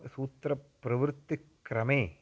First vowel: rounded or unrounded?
rounded